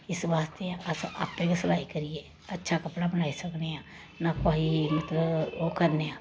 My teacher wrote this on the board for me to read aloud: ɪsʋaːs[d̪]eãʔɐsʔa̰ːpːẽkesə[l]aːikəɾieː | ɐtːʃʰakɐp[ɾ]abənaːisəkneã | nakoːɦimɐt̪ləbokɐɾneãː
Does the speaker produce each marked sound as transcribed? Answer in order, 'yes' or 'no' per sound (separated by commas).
no, yes, no